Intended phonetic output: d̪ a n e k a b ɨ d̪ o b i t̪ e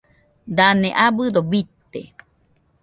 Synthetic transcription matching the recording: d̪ a n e ʔ a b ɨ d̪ o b i t̪ e